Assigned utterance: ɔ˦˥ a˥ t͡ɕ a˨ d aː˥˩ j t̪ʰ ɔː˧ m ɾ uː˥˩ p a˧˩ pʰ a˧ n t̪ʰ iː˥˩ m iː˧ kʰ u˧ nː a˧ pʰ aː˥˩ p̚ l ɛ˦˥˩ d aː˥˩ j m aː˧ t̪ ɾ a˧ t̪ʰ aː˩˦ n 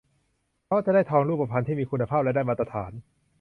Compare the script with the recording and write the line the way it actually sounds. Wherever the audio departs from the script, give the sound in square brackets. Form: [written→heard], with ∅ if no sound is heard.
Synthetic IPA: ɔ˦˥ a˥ t͡ɕ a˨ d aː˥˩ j t̪ʰ ɔː˧ [m→ŋ] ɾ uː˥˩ p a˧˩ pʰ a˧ n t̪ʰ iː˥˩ m iː˧ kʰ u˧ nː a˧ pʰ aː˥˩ p̚ l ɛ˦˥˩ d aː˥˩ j m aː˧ t̪ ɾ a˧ t̪ʰ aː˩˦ n